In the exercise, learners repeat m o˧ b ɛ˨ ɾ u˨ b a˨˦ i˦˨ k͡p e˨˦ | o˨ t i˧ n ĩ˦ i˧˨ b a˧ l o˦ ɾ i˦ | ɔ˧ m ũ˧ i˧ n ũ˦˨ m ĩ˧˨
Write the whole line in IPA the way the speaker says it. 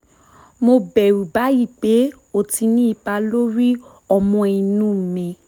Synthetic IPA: m o˧ b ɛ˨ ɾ u˨ b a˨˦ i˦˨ k͡p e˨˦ | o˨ t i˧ n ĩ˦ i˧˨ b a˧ l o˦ ɾ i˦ | ɔ˧ m ɔ̃˧ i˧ n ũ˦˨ m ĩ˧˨